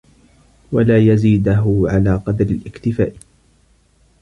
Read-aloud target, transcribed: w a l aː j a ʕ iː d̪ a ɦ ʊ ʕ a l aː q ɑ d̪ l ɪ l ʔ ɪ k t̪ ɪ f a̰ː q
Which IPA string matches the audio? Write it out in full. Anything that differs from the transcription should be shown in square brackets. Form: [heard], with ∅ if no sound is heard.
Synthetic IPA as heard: w a l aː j a [z] iː d̪ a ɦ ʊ ʕ a l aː q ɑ d̪ [ɾ] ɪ l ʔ ɪ k t̪ ɪ f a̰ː [ʔ]